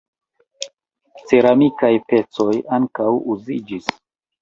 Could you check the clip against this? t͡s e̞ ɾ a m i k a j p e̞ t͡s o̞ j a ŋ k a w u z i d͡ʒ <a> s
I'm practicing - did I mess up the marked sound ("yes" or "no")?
yes